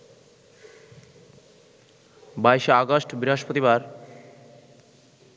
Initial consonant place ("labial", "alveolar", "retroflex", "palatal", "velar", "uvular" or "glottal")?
labial